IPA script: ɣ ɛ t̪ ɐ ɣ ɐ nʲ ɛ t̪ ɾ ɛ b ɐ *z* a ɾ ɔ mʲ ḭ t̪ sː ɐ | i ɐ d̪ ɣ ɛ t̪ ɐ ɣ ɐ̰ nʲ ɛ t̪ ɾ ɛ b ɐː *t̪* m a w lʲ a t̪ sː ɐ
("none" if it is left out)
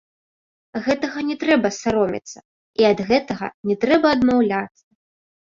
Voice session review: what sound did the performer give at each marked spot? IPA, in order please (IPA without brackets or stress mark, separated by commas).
s, d̪